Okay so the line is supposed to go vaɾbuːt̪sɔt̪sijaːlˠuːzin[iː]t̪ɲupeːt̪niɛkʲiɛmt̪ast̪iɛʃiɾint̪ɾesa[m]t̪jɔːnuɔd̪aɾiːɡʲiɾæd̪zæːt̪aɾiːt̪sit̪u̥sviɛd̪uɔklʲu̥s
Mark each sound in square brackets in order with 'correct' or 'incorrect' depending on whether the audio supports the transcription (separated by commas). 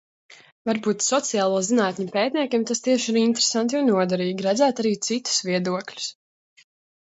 incorrect, incorrect